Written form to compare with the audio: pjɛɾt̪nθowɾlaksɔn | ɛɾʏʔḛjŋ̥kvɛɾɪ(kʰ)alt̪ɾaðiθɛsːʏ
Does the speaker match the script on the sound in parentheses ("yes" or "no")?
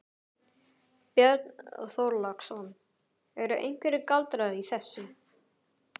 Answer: no